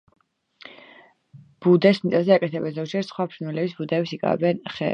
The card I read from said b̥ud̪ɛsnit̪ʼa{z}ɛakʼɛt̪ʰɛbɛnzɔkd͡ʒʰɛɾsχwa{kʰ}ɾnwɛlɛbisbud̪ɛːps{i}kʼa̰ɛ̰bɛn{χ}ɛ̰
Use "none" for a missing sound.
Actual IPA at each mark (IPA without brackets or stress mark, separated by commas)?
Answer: z, pʰ, i, χ